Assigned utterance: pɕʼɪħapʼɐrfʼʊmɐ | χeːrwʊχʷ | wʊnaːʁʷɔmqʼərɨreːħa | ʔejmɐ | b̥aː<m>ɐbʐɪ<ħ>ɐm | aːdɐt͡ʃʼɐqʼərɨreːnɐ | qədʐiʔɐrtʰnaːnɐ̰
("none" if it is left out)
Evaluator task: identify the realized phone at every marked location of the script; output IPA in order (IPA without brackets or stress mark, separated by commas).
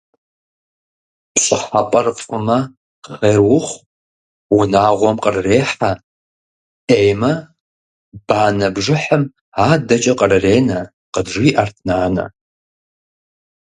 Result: n, ħ